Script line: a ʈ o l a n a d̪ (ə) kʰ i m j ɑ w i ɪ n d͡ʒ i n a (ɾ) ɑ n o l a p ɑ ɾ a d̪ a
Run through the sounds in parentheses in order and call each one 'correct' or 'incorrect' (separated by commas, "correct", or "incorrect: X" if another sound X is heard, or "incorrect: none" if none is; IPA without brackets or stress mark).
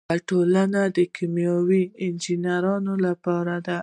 correct, correct